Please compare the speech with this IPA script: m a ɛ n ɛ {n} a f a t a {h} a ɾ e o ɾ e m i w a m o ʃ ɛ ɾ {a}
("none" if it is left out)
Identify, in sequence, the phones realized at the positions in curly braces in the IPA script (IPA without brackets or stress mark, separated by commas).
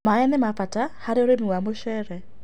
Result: m, h, ɛ